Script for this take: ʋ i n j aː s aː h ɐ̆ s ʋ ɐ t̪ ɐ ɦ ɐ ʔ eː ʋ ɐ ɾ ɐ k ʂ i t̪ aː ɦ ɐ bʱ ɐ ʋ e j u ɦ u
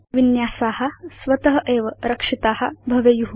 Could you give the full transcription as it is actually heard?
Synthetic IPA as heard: ʋ i n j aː s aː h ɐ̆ s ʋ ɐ t̪ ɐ ɦ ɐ ʔ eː ʋ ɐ ɾ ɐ k ʂ i t̪ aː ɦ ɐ bʱ ɐ ʋ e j u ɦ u